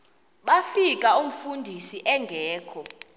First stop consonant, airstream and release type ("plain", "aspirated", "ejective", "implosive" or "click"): implosive